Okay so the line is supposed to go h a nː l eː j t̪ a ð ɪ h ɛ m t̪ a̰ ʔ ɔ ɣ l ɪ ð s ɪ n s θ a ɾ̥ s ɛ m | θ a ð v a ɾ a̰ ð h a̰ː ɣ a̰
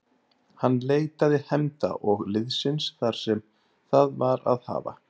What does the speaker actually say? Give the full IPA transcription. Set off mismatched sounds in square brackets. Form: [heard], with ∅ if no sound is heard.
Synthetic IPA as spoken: h a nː l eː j t̪ a ð ɪ h ɛ m t̪ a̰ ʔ ɔ ɣ l ɪ ð s ɪ n s θ a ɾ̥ s ɛ m | θ a ð v a ɾ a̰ ð h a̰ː [v] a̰